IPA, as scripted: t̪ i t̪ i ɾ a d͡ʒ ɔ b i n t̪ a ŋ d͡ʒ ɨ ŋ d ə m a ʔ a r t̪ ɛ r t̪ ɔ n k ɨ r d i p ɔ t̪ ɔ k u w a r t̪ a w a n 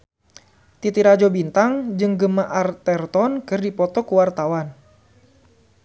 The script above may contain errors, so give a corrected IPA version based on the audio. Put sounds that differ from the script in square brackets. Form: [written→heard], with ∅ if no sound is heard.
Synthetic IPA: t̪ i t̪ i ɾ a d͡ʒ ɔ b i n t̪ a ŋ d͡ʒ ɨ ŋ [d→ɡ] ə m a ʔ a r t̪ ɛ r t̪ ɔ n k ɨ r d i p ɔ t̪ ɔ k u w a r t̪ a w a n